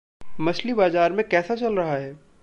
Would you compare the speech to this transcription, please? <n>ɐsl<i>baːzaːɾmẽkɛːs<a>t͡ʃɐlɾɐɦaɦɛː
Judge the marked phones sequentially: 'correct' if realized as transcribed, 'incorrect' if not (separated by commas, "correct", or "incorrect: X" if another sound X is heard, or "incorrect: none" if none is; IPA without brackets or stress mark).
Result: incorrect: m, correct, correct